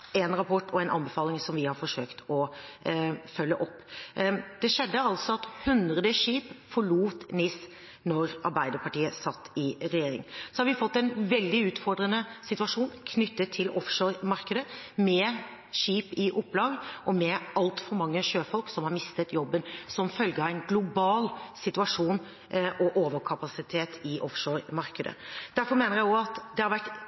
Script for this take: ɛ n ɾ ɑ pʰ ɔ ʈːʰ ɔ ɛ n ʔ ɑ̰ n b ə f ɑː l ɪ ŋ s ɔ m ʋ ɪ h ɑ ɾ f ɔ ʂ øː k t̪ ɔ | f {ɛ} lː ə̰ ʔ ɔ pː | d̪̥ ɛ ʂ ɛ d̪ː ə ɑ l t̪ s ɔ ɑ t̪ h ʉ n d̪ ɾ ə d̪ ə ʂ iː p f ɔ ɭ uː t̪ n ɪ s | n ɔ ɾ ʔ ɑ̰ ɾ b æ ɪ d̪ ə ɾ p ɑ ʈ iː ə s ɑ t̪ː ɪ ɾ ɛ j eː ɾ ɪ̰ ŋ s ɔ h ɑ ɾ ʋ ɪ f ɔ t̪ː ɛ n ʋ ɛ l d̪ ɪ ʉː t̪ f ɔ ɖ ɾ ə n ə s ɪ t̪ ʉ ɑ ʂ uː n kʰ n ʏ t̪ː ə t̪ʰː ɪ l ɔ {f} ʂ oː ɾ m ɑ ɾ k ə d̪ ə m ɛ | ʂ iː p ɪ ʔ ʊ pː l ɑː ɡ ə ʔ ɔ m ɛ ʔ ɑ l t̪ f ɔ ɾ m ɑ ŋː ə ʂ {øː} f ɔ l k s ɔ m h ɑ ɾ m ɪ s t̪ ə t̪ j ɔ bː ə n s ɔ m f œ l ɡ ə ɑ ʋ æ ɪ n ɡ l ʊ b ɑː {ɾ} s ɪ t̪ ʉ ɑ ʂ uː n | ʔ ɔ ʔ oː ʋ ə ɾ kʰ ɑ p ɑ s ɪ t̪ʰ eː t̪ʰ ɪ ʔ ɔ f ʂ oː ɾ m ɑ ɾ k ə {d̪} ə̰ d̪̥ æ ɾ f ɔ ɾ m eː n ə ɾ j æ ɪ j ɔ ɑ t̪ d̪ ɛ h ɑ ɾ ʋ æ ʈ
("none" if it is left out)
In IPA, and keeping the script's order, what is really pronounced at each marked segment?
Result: œ, f, øː, l, d̪

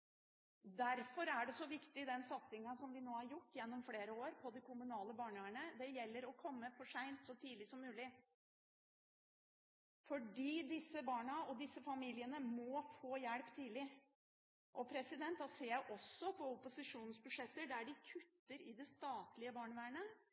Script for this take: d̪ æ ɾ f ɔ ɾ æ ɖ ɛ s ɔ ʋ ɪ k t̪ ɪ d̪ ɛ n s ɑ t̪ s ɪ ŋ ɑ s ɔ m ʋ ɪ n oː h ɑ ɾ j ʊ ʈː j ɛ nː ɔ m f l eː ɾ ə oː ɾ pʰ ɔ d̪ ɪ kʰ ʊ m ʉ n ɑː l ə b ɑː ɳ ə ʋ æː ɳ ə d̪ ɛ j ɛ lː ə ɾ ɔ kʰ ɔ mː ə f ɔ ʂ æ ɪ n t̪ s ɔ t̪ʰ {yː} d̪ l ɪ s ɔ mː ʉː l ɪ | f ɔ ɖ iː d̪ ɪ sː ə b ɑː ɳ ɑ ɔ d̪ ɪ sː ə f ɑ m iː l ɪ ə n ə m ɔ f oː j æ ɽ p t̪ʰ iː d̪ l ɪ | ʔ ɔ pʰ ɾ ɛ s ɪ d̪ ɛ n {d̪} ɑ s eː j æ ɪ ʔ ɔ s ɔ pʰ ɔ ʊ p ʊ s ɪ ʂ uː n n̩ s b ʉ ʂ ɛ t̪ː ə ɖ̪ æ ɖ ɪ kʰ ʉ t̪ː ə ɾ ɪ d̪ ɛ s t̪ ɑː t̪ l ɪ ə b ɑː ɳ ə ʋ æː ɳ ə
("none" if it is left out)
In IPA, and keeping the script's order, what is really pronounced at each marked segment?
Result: iː, t̪

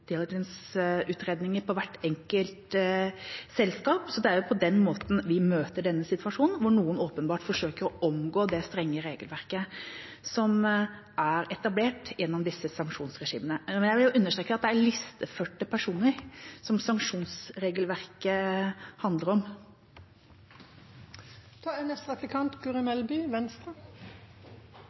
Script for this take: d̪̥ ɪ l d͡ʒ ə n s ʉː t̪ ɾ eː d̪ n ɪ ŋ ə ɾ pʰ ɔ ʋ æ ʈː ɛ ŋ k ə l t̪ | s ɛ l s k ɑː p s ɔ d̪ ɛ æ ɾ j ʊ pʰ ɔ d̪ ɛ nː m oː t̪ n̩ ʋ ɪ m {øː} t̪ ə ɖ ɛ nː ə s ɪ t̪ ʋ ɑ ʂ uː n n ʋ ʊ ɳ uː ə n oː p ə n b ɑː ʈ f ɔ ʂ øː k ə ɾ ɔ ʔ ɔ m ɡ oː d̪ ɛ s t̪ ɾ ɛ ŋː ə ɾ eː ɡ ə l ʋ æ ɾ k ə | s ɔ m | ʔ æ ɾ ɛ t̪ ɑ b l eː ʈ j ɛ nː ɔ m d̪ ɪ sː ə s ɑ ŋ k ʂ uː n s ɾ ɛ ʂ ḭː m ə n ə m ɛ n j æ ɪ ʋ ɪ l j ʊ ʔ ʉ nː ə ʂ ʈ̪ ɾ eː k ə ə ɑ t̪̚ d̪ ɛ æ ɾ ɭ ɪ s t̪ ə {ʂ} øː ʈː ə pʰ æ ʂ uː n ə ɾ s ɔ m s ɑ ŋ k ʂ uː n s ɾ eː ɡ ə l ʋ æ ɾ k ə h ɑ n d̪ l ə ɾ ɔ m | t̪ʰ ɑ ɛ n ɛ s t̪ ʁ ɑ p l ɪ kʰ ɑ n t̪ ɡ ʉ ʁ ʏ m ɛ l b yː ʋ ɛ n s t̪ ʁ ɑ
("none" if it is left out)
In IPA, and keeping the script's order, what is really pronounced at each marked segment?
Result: øː, f

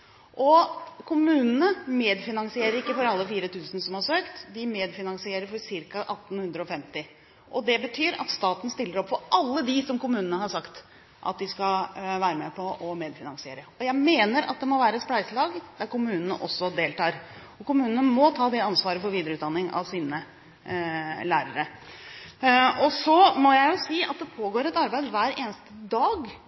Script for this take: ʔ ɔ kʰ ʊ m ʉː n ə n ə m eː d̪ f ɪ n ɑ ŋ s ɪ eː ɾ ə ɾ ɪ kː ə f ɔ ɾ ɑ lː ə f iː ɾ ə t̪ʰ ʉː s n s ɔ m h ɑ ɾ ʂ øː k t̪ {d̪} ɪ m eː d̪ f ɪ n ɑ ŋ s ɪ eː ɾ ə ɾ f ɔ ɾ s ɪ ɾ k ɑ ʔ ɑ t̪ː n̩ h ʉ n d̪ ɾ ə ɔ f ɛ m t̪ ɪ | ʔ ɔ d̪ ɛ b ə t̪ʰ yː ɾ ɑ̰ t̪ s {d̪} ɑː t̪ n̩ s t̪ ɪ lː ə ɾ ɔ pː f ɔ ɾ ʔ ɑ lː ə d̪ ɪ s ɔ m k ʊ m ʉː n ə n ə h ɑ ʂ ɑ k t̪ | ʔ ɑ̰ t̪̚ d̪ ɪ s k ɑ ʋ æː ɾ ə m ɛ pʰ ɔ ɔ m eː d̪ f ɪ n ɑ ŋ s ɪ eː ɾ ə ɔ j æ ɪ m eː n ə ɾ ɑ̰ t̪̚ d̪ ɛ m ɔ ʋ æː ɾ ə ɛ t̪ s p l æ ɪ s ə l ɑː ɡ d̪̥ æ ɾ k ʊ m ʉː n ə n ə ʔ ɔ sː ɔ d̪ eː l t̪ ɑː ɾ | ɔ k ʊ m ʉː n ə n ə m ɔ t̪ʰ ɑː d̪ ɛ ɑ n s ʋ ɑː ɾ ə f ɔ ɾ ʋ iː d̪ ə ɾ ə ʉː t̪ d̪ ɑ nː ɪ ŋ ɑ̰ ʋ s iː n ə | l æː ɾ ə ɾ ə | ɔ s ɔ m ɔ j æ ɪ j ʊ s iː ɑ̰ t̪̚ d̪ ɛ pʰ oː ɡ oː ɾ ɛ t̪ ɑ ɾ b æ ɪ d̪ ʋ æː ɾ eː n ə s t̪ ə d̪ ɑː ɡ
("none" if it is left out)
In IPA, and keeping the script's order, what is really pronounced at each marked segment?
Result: d̪, t̪

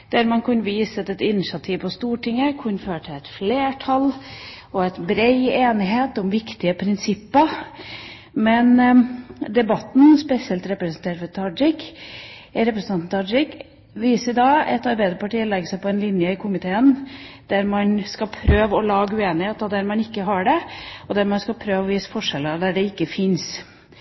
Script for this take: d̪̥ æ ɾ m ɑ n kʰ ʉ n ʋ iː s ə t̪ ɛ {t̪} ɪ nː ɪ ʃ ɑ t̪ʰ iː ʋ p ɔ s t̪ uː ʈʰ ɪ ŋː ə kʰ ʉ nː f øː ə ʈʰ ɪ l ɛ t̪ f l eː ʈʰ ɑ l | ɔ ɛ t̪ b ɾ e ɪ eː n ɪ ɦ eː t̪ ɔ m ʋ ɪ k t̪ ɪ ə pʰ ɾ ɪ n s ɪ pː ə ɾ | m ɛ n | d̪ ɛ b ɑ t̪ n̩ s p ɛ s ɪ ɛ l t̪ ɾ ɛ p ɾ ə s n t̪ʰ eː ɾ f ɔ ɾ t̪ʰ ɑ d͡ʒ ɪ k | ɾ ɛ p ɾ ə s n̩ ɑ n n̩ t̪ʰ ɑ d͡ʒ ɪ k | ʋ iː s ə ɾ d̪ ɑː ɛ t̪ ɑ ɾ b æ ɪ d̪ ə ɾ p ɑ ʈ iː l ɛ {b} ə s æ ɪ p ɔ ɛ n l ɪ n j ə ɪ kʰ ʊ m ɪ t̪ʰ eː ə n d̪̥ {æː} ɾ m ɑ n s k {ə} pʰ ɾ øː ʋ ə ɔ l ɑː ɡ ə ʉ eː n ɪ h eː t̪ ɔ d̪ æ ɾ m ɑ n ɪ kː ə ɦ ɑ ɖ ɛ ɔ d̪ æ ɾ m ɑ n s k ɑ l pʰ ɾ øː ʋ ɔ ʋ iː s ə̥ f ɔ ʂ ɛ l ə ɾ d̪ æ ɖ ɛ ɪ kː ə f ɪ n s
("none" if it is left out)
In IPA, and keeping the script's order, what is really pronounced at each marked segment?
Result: t̪, ɡ, æ, ɑ

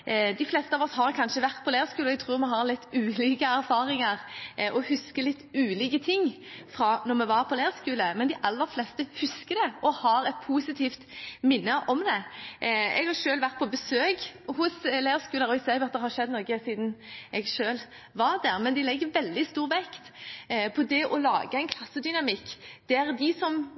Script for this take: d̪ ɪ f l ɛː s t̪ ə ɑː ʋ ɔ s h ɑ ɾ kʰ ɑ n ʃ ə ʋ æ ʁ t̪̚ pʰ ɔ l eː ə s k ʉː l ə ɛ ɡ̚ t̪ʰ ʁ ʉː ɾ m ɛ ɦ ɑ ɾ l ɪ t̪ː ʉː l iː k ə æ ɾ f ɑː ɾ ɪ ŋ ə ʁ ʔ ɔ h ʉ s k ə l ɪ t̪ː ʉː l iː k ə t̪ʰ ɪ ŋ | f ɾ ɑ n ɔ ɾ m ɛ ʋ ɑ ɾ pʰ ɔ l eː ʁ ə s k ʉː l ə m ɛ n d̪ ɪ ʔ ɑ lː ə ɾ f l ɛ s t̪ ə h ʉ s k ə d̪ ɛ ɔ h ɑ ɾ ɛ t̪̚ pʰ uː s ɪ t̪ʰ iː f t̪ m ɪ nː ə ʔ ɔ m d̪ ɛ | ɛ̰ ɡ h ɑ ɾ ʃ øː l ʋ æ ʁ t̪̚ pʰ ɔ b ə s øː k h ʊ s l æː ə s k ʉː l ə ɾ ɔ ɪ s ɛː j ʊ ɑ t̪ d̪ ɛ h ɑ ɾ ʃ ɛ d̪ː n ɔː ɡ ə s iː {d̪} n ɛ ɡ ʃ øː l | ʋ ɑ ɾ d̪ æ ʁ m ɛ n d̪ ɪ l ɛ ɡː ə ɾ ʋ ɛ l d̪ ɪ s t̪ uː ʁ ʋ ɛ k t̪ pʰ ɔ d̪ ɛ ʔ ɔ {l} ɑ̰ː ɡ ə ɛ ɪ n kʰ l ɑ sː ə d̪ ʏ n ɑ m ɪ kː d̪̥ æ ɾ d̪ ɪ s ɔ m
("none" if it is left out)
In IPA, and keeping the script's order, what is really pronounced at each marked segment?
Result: d̪, l

